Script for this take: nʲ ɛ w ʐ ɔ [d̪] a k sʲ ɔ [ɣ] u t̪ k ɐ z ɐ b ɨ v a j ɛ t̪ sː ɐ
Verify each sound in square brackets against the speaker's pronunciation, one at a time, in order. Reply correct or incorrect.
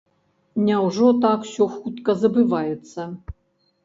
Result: incorrect, incorrect

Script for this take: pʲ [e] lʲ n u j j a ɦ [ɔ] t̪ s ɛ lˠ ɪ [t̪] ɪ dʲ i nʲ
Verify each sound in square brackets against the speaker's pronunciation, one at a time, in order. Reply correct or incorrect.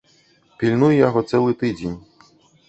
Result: incorrect, correct, correct

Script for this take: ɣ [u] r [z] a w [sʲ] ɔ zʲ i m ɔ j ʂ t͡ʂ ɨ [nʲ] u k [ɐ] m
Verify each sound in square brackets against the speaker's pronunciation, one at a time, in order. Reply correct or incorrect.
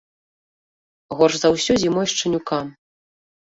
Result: incorrect, correct, correct, correct, incorrect

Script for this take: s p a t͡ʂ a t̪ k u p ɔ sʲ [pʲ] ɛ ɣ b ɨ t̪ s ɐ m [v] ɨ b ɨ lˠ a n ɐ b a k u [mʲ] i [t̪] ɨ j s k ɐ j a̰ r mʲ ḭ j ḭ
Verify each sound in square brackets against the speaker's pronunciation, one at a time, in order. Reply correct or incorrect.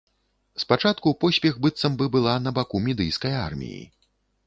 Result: correct, incorrect, correct, incorrect

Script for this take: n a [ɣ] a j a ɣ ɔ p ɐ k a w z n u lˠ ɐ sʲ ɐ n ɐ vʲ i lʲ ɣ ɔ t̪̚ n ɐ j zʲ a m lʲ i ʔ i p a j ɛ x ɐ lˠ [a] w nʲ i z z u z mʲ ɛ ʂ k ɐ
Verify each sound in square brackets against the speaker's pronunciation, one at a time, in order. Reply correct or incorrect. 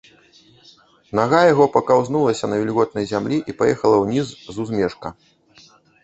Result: correct, incorrect

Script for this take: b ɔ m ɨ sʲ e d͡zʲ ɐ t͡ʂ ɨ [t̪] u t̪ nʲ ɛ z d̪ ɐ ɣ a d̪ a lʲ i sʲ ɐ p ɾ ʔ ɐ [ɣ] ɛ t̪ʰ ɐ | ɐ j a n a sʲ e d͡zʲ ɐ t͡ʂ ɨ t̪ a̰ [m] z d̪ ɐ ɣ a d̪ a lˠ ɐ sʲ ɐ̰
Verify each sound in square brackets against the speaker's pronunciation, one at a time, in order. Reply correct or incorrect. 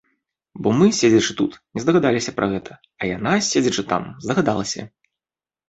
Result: correct, correct, correct

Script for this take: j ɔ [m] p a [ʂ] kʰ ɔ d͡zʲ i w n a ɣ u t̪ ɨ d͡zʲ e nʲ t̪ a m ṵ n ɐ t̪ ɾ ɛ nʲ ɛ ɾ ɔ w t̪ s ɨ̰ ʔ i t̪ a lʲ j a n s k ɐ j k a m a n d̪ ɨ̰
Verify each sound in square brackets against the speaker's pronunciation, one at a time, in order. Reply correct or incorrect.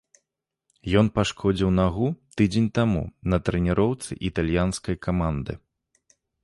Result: incorrect, correct

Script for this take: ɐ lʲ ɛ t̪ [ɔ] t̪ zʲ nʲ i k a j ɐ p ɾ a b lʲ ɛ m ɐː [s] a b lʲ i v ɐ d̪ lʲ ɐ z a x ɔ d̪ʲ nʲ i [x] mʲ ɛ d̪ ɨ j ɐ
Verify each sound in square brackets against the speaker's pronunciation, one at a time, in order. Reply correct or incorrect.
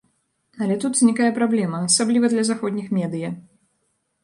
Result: incorrect, correct, correct

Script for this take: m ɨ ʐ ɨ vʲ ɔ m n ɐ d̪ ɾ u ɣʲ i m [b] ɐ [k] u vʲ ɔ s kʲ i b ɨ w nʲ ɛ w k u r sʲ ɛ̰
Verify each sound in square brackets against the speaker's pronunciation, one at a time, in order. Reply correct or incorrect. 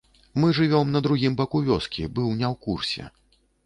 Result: correct, correct

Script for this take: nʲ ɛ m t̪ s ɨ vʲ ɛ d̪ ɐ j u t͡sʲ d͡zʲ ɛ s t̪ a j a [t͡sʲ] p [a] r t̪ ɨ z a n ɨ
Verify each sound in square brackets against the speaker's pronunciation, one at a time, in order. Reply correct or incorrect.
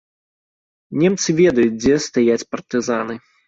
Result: correct, incorrect

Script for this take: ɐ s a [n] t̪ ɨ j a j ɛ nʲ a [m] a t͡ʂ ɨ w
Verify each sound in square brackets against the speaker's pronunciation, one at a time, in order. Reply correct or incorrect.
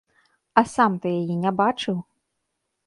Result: incorrect, incorrect

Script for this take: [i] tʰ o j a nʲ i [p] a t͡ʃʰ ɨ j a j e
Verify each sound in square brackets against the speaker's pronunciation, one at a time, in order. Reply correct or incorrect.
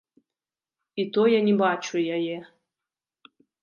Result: correct, incorrect

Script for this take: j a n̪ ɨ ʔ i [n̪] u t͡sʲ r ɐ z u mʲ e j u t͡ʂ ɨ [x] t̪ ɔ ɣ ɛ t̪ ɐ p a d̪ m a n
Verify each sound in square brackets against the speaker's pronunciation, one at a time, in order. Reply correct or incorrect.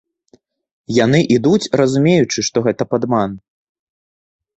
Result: incorrect, incorrect

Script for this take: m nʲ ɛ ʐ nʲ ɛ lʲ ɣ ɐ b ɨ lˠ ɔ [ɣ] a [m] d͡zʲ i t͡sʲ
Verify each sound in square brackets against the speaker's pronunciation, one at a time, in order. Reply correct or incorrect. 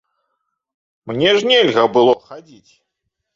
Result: incorrect, incorrect

